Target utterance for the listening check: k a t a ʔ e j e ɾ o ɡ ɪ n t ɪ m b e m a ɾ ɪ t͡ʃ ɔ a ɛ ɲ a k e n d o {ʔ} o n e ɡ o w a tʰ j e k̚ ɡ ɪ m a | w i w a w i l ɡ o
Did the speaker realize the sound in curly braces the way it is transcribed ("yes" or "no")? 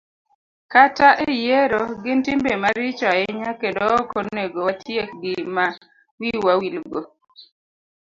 no